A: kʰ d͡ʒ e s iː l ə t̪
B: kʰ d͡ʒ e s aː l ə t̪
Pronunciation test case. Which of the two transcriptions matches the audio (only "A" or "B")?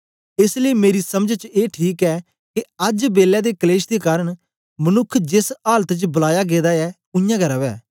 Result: B